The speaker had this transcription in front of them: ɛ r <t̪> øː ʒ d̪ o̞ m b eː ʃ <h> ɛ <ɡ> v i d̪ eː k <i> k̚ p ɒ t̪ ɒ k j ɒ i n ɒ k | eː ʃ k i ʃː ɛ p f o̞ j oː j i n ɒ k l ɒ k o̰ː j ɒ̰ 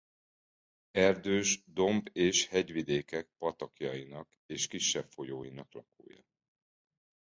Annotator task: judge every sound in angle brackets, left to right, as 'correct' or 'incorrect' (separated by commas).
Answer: incorrect, correct, incorrect, incorrect